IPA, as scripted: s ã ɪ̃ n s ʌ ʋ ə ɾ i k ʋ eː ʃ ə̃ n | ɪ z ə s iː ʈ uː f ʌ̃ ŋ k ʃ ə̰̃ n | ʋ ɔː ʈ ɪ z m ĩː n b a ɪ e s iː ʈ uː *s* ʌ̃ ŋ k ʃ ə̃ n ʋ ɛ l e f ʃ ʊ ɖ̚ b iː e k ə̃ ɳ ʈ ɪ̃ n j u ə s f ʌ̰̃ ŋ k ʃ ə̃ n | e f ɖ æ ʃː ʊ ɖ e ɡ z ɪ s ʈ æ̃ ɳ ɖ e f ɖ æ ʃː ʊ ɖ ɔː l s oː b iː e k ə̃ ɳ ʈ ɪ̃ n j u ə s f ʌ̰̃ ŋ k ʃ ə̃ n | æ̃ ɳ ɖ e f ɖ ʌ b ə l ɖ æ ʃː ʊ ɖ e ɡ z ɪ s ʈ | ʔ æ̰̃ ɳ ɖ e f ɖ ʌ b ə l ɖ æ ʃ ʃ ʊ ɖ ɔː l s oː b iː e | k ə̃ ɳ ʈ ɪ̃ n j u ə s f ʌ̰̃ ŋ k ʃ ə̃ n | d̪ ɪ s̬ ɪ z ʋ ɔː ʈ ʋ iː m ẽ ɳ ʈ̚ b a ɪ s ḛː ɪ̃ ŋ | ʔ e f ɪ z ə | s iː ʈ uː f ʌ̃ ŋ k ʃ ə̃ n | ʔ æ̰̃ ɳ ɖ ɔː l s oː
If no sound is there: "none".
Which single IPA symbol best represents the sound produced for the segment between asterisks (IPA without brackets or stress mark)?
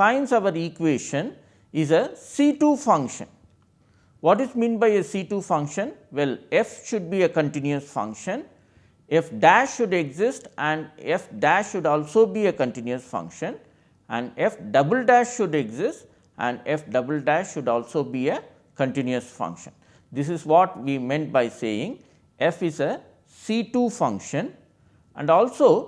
f